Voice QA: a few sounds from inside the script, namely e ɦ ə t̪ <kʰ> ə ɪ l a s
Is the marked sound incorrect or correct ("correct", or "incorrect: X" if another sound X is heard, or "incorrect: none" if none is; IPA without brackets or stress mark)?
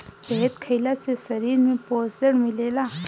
correct